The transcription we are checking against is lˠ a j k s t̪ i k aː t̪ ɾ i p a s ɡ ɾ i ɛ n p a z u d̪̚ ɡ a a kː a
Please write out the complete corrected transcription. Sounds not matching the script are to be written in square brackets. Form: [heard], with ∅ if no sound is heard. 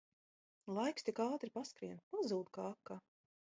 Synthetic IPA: lˠ a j k s t̪ i k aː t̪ ɾ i p a s [k] ɾ i ɛ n p a z [uː] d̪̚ [k] a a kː a